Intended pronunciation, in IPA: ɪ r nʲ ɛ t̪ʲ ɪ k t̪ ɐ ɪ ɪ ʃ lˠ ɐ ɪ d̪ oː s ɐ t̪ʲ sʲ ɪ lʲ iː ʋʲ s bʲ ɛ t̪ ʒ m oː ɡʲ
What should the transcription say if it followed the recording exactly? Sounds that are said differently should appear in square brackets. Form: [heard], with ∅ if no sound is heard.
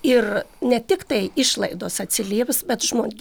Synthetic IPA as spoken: ɪ r nʲ ɛ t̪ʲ ɪ k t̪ ɐ ɪ ɪ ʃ lˠ ɐ ɪ d̪ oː s ɐ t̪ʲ sʲ ɪ lʲ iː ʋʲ s bʲ ɛ t̪ ʒ m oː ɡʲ